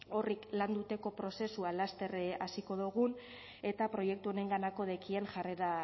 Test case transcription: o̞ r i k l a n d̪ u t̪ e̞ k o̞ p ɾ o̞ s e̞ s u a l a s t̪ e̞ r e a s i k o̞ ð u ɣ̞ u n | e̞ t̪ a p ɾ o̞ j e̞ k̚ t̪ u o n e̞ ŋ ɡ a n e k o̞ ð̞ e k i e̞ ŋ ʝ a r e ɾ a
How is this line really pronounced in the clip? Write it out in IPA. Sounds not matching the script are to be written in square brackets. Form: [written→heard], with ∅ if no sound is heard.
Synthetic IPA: o̞ r i k l a n d̪ u t̪ e̞ k o̞ p ɾ o̞ s e̞ s u a l a s t̪ e̞ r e a s i k o̞ ð u ɣ̞ u n | e̞ t̪ a p ɾ o̞ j e̞ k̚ t̪ u o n e̞ ŋ ɡ a n [e→a] k o̞ ð̞ e k i e̞ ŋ ʝ a r e ɾ a